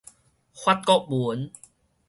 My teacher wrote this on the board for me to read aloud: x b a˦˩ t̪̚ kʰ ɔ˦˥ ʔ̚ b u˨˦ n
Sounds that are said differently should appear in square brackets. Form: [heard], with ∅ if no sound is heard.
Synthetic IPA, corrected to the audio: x [w] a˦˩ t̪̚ [k] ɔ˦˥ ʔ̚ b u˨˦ n